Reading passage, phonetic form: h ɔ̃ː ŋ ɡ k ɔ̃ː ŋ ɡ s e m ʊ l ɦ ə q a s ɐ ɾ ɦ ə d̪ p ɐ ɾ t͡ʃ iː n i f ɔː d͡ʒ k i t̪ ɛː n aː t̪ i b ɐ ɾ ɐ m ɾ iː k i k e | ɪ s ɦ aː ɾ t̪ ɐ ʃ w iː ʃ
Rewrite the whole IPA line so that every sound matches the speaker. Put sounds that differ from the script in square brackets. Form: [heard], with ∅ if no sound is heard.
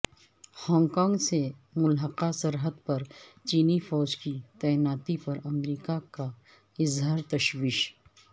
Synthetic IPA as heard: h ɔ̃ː ŋ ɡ k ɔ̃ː ŋ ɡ s e m ʊ l ɦ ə q a s ɐ ɾ ɦ ə d̪ p ɐ ɾ t͡ʃ iː n i f ɔː d͡ʒ k i t̪ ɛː n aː t̪ i [p] ɐ ɾ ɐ m ɾ iː k [a] k [a] | ɪ [z] ɦ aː ɾ t̪ ɐ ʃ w iː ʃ